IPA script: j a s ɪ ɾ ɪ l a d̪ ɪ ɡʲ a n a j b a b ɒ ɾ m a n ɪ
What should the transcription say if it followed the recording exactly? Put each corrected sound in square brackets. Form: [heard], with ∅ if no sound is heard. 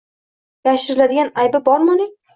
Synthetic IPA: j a [ʃ] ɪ ɾ ɪ l a d̪ ɪ ɡʲ a n a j b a b ɒ ɾ m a n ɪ